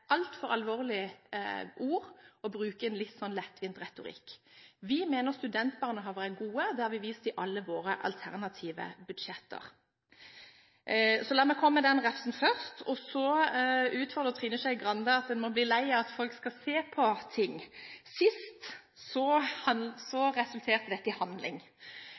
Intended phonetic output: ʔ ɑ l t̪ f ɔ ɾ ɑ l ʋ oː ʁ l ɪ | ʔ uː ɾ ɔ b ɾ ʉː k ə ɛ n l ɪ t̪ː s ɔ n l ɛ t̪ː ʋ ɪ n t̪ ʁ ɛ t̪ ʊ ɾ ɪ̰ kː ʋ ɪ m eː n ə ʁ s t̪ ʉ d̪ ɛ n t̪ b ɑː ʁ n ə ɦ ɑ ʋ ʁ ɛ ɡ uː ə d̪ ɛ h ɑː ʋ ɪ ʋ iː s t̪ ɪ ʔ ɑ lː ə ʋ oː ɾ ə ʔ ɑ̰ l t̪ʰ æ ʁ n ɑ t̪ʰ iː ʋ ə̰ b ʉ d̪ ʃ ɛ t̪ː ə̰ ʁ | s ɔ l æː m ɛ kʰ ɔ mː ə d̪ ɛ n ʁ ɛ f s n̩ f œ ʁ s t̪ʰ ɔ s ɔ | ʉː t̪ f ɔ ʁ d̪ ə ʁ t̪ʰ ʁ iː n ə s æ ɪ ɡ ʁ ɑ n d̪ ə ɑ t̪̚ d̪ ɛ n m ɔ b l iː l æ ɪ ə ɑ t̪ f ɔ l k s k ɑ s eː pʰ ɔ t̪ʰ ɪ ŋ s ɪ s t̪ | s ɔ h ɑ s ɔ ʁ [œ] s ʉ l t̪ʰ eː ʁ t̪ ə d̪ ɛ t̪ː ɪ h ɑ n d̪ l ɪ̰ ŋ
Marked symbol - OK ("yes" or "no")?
no